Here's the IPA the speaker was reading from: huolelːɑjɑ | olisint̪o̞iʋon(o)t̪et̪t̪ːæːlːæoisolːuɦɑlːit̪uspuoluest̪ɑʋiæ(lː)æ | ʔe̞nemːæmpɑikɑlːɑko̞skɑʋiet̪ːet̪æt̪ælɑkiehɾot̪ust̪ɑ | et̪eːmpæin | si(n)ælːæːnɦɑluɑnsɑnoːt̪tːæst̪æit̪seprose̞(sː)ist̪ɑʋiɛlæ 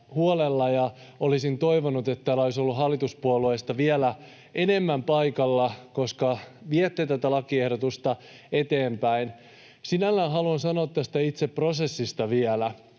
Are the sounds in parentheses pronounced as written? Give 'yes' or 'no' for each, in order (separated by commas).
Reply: no, no, yes, yes